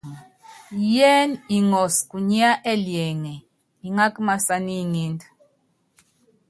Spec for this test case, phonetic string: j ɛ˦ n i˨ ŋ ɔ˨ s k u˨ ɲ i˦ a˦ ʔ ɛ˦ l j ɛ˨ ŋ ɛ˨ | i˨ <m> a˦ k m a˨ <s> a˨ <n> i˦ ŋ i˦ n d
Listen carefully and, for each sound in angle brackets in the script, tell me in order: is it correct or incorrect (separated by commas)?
incorrect, correct, correct